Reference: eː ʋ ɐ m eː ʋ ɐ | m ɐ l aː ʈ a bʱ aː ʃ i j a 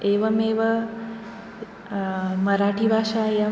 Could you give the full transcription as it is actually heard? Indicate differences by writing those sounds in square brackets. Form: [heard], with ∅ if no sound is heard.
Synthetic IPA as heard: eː ʋ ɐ m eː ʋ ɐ | m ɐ [ɾ] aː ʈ [i] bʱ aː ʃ [a] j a